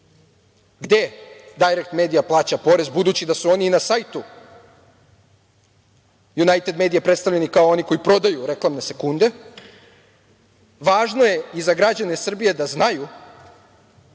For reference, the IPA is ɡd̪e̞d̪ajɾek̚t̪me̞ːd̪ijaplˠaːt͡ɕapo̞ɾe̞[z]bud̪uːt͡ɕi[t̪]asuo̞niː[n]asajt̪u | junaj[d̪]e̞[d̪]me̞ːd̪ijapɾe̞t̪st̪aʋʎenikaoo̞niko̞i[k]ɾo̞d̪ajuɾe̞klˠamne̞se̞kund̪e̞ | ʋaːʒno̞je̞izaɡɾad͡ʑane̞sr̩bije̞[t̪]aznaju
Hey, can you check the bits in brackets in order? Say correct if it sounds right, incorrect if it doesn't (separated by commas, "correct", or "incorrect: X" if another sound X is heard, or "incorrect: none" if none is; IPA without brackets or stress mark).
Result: correct, incorrect: d̪, correct, incorrect: t̪, correct, incorrect: p, incorrect: d̪